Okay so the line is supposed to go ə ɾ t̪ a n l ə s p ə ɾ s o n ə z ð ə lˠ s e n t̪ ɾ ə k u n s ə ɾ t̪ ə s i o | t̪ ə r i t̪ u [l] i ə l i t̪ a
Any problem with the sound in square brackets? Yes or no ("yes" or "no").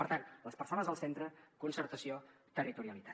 yes